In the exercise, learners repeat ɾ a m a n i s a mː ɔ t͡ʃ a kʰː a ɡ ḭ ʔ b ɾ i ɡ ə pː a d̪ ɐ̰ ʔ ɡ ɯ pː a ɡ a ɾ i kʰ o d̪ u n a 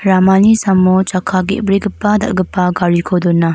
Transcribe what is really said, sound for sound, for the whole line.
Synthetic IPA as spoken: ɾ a m a n i s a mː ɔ t͡ʃ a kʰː a ɡ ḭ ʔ b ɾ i ɡ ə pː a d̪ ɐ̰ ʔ ɡ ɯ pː a ɡ a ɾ i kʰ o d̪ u n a